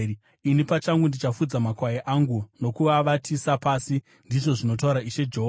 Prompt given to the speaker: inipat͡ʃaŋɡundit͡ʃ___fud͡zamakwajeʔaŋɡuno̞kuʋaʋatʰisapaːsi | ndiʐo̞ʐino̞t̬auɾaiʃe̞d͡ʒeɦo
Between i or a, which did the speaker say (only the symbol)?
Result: a